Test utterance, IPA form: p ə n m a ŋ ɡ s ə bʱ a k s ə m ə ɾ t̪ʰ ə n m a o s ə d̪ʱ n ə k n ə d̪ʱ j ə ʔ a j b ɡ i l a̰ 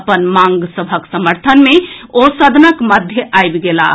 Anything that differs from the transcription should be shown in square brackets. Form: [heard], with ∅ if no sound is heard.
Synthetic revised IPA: p ə n m a ŋ ɡ s ə bʱ [ə] k s ə m ə ɾ t̪ʰ ə n m [e] o s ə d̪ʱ n ə k [m] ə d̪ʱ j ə ʔ a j b ɡ [e] l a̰

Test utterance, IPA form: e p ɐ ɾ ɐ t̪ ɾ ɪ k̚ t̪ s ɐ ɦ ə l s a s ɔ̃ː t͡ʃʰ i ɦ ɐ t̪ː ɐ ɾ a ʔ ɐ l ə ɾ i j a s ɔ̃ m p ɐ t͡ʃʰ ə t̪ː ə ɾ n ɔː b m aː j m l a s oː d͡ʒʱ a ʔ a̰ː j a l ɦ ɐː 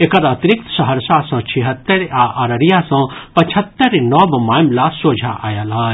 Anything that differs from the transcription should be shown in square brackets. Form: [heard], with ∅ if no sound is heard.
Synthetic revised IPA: e [k] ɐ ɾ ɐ t̪ ɾ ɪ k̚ t̪ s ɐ ɦ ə [ɾ] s a s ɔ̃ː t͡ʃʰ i ɦ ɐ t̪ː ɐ ɾ a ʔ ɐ [ɾ] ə ɾ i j a s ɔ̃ [∅] p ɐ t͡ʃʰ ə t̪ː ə ɾ n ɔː b m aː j m l a s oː d͡ʒʱ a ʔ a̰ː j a l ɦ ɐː

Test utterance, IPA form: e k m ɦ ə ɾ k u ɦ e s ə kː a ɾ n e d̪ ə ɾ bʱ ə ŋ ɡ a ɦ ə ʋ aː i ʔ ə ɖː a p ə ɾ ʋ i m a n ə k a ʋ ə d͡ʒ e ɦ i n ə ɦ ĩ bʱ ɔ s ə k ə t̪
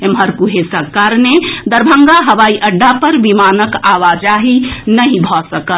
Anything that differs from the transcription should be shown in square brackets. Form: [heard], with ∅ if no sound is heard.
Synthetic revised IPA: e [∅] m ɦ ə ɾ k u ɦ e s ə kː a ɾ n e d̪ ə ɾ bʱ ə ŋ ɡ a ɦ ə ʋ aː i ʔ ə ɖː a p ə ɾ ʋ i m a n ə k a ʋ [a] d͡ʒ [a] ɦ i n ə ɦ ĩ bʱ ɔ s ə k ə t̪

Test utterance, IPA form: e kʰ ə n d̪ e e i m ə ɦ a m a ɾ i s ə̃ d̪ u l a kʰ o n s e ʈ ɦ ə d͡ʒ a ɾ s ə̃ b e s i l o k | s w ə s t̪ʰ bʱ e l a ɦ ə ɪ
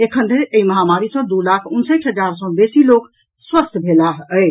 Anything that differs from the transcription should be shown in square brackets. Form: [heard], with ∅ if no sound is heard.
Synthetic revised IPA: e kʰ ə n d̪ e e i m ə ɦ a m a ɾ i s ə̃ d̪ u l a kʰ [u] n s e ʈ ɦ ə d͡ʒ a ɾ s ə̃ b e s i l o k | s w ə s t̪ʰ bʱ e l a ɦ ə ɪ

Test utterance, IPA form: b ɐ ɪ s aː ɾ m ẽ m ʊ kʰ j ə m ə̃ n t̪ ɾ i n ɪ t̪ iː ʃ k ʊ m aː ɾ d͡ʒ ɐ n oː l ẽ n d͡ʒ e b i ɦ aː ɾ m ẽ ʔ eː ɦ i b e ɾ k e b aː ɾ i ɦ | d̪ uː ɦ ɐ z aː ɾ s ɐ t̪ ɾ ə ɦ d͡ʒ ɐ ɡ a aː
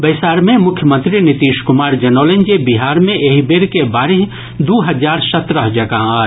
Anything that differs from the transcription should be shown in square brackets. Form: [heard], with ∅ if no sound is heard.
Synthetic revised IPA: b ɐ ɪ s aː ɾ m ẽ m ʊ kʰ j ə m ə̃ n t̪ ɾ i n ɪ t̪ iː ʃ k ʊ m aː ɾ d͡ʒ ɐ n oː l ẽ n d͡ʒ e b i ɦ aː ɾ m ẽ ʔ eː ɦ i b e ɾ k e b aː ɾ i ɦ | d̪ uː ɦ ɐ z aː ɾ s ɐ t̪ ɾ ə ɦ d͡ʒ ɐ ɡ a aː

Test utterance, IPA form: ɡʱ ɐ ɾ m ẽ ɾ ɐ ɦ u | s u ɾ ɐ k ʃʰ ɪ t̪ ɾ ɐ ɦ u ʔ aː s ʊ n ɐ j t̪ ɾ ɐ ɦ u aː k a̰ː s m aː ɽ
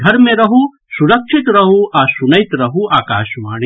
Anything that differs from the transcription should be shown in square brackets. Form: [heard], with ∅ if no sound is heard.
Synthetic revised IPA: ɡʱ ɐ ɾ m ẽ ɾ ɐ ɦ u | s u ɾ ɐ k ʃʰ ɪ t̪ ɾ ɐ ɦ u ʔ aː s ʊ n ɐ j t̪ ɾ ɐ ɦ u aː k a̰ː [ʃ] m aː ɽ

